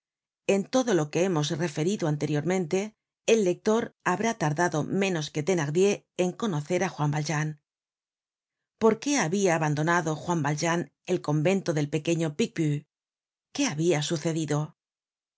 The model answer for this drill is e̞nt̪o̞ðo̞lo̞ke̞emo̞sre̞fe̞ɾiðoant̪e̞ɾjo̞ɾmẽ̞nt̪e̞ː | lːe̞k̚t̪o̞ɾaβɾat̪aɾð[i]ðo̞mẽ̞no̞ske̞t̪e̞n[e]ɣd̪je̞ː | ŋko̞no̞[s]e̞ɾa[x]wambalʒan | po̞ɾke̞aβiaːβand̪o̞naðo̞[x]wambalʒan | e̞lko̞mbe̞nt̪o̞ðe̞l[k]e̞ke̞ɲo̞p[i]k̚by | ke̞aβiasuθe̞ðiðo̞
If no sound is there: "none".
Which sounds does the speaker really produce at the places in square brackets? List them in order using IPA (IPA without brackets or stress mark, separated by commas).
a, a, θ, x, x, p, i